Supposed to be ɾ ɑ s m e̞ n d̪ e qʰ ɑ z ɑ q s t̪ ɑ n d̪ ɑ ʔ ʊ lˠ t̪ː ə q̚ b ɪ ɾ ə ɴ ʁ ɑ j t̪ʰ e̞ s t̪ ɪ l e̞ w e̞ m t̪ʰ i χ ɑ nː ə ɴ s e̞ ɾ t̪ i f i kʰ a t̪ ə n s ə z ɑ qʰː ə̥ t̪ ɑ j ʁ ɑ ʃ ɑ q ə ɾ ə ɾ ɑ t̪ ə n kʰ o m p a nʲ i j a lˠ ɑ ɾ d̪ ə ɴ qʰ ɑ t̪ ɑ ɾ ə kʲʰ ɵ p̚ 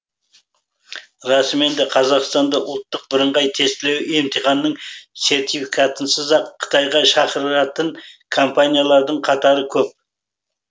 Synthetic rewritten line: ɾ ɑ s m e̞ n d̪ e qʰ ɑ z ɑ q s t̪ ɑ n d̪ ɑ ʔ ʊ lˠ t̪ː ə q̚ b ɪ ɾ ə ɴ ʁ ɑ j t̪ʰ e̞ s t̪ ɪ l e̞ w e̞ m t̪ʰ i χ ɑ nː ə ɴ s e̞ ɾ t̪ i f i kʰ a t̪ ə n s ə z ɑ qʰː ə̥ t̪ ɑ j ʁ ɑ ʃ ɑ q ə ɾ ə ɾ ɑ t̪ ə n kʰ o m p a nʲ i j a lˠ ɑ ɾ d̪ ə ɴ qʰ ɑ t̪ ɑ ɾ ə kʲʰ ɵ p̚